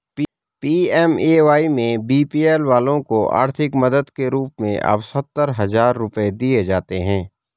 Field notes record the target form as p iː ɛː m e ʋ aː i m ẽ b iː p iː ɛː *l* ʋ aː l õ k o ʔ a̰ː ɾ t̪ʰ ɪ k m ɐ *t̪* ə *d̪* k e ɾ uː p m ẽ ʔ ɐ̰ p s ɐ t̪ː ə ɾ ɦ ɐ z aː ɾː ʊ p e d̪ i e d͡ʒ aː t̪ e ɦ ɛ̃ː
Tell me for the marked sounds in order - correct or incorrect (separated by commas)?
correct, incorrect, correct